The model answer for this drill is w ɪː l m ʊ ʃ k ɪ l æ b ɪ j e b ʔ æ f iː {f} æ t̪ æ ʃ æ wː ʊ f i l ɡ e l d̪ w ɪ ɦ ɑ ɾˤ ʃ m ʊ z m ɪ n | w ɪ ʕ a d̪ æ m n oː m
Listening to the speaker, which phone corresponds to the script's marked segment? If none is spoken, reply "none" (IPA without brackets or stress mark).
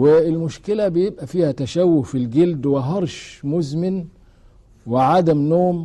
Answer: h